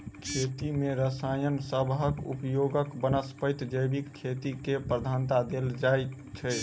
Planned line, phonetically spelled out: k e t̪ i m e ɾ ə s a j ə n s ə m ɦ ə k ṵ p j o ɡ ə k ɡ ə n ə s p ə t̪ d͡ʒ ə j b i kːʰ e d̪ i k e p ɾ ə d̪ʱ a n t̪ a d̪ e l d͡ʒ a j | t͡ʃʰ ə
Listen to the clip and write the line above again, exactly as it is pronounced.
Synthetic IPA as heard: kʰ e t̪ i m e ɾ ə s a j ə n s ə b ɦ ə k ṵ p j o ɡ ə k b ə n ə s p ə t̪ d͡ʒ ə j b i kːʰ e t̪ i k e p ɾ ə d̪ʱ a n t̪ a d̪ e l d͡ʒ a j | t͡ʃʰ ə